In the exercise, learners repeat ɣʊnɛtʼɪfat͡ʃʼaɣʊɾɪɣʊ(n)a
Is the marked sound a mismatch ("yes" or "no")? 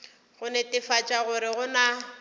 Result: no